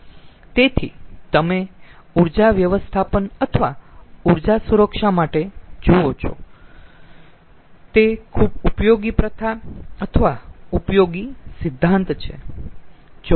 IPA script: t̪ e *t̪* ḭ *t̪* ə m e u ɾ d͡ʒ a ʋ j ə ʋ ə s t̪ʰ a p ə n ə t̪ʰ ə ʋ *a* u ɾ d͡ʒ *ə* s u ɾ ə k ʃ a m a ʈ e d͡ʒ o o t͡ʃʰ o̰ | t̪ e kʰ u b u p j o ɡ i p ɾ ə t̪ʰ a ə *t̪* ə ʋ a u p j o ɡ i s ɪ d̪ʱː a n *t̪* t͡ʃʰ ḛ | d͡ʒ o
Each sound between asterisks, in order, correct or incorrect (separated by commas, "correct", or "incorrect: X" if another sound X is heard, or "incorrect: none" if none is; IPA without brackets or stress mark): incorrect: t̪ʰ, correct, correct, incorrect: a, incorrect: t̪ʰ, correct